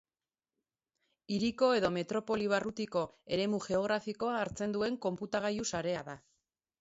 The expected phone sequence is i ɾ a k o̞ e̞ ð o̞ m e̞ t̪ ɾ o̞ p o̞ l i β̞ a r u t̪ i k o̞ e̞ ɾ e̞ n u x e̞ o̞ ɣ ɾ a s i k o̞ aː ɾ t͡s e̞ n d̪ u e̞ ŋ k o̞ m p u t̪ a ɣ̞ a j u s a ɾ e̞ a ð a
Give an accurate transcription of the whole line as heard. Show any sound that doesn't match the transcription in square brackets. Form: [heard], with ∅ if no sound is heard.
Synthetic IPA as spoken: i ɾ [i] k o̞ e̞ ð o̞ m e̞ t̪ ɾ o̞ p o̞ l i β̞ a r u t̪ i k o̞ e̞ ɾ e̞ [m] u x e̞ o̞ ɣ ɾ a [f] i k o̞ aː ɾ t͡s e̞ n d̪ u e̞ ŋ k o̞ m p u t̪ a ɣ̞ a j u s a ɾ e̞ a ð a